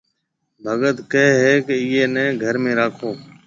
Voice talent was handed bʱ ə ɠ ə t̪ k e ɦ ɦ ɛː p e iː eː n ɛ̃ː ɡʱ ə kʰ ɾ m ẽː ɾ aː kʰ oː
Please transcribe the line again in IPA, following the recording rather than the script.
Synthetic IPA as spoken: bʱ ə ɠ ə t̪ k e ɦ ɦ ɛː k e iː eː n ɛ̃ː ɡʱ ə ɾ m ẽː ɾ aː kʰ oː